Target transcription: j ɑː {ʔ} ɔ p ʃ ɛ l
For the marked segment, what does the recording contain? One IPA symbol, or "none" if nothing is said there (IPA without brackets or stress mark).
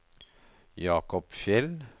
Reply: k